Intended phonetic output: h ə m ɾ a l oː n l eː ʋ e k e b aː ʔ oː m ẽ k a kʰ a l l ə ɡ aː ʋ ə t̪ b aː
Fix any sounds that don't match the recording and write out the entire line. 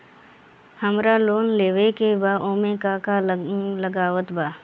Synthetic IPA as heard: h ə m ɾ a l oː n l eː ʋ e k e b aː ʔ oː m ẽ k a k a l l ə ɡ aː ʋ ə t̪ b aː